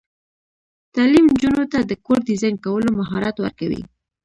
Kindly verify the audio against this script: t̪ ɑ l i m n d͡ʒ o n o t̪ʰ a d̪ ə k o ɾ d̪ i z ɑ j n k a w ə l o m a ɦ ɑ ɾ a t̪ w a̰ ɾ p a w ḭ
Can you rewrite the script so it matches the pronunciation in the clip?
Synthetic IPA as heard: t̪ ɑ l i m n d͡ʒ u n o t̪ a d̪ ə k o ɾ d̪ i z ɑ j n k a w ə l o m a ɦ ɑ ɾ a t̪ w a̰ ɾ k a w ḭ

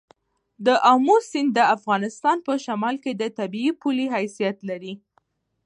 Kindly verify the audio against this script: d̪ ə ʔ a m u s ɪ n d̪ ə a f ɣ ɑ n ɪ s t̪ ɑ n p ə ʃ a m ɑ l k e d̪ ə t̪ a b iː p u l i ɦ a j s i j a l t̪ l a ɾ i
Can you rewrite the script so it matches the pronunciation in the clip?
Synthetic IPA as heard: d̪ ə ʔ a m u s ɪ n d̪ ə a f ɣ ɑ n ɪ s t̪ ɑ n p ə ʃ a m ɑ l k e d̪ ə t̪ a b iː p u l i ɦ a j s i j a t̪ l a ɾ i

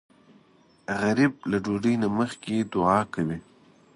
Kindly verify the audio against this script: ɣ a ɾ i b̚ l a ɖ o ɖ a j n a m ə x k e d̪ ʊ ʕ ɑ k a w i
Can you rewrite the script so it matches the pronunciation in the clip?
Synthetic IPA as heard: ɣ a ɾ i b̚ l a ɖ o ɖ ə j n a m ə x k e d̪ ʊ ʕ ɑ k a w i

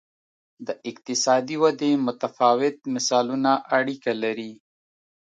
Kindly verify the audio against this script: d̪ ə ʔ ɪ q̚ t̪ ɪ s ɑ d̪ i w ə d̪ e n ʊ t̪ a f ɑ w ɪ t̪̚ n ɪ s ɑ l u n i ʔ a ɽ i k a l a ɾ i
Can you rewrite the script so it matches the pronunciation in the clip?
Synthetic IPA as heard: d̪ ə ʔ ɪ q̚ t̪ ɪ s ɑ d̪ i w a d̪ e m ʊ t̪ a f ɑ w ɪ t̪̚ m ɪ s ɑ l u n a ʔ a ɽ i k a l a ɾ i

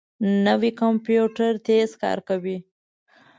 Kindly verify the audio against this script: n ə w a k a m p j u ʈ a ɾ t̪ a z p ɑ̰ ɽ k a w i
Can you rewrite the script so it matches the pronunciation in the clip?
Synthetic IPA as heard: n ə w i k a m p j u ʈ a ɾ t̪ e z k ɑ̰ ɾ k a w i

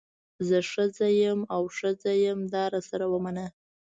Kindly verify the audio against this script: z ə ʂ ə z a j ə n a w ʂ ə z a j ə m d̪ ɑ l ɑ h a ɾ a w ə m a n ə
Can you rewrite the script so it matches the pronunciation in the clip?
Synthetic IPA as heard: z ə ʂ ə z a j ə m a w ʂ ə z a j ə m d̪ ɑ ɾ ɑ s a ɾ a w ə m a n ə

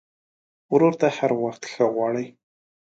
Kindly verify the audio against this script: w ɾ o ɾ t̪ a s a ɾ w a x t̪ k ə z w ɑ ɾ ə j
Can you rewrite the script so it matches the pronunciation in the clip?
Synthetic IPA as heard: w ɾ o ɾ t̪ a h a ɾ w a x t̪ x ə ɣ w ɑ ɽ ə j

